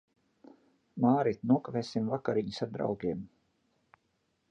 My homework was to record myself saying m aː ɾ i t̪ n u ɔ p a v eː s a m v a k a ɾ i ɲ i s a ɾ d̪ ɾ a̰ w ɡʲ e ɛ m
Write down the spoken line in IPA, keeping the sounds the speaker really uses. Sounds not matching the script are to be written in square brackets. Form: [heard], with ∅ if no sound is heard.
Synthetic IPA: m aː ɾ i t̪ n u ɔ [k] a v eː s [i] m v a k a ɾ i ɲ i s a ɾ d̪ ɾ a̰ w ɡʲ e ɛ m